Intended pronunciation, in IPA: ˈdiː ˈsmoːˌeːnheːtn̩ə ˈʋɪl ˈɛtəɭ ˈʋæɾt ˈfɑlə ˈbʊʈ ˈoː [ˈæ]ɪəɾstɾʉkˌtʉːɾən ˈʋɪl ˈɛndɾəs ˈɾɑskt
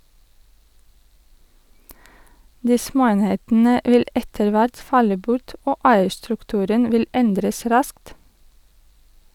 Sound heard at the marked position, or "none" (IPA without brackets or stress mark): æ